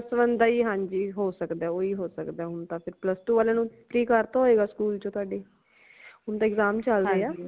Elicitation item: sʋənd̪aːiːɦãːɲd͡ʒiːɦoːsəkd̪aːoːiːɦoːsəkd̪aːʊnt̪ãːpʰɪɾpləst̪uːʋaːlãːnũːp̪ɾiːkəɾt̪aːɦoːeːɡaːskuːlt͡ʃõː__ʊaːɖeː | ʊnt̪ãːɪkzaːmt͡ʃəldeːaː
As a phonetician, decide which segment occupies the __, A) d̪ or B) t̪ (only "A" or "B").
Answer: B